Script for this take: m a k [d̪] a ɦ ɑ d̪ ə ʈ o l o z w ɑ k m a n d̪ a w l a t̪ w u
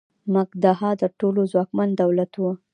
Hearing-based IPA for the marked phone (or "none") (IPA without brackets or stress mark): d̪